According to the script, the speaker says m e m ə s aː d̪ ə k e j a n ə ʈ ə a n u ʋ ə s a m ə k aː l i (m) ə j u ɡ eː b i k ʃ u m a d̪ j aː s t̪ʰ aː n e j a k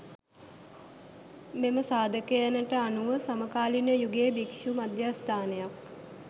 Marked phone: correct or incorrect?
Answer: incorrect